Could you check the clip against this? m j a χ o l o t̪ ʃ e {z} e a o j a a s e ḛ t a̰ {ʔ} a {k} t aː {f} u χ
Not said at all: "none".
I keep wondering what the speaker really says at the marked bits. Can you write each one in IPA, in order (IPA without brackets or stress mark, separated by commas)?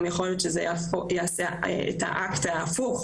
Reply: z, ʔ, k, f